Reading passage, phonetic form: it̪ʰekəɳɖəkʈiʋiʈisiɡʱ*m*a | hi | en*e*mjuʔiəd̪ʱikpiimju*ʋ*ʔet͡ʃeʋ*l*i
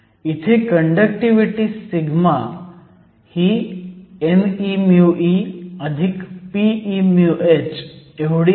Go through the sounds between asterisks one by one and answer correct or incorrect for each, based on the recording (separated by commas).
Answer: correct, incorrect, incorrect, incorrect